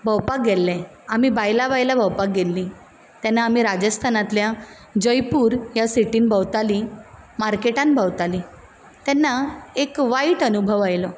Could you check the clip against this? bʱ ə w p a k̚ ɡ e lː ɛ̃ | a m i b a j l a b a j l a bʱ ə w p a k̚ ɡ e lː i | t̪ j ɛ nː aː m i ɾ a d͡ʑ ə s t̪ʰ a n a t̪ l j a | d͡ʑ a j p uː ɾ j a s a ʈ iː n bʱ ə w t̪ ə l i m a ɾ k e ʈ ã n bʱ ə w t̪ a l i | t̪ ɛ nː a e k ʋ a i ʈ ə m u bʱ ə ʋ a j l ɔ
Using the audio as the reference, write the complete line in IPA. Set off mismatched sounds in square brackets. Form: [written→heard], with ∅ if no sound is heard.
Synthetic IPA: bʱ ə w p a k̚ ɡ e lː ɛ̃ | a m i b a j l a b a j l a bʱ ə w p a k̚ ɡ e lː i | t̪ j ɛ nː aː m i ɾ a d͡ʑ ə s t̪ʰ a n a t̪ l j a | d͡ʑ [a→ə] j p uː ɾ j a s [a→i] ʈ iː n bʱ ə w t̪ [ə→a] l i m a ɾ k e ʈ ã n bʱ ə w t̪ a l i | t̪ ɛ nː a e k ʋ a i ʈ ə [m→n] u bʱ ə ʋ a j l ɔ